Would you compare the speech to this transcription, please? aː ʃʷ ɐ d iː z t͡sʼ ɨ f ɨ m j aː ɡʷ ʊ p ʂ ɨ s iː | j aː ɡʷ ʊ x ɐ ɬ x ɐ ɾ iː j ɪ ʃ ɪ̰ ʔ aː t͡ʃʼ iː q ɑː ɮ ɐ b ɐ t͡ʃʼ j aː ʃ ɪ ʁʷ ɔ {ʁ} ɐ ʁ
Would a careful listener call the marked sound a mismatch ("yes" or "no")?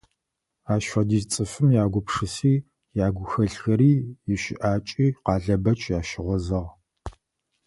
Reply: yes